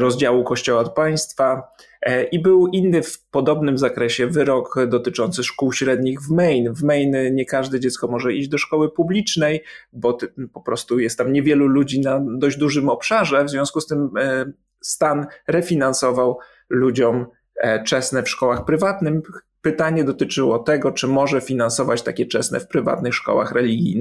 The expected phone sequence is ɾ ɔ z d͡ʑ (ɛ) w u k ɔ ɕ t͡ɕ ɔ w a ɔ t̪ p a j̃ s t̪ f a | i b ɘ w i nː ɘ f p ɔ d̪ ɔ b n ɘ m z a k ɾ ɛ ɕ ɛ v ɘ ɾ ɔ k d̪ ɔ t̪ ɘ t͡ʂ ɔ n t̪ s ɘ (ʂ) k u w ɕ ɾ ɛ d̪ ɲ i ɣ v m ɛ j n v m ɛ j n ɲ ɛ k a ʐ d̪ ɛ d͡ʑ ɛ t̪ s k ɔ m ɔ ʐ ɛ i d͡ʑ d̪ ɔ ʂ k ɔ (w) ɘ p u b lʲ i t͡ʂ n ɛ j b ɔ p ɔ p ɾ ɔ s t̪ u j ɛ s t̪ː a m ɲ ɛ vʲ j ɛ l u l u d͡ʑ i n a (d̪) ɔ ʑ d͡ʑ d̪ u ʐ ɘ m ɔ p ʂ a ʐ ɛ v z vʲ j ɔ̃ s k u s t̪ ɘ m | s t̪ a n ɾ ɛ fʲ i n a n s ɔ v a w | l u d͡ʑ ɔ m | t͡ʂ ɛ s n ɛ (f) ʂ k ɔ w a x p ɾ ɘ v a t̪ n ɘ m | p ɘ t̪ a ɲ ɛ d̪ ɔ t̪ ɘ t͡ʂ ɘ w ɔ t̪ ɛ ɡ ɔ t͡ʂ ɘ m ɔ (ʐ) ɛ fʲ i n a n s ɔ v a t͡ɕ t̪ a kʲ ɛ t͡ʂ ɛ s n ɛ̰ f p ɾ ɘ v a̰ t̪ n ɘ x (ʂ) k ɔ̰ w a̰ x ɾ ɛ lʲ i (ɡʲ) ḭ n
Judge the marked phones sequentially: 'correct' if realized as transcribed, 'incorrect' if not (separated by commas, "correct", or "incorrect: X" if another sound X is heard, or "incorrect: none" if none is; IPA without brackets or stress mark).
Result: incorrect: a, correct, correct, correct, correct, correct, correct, correct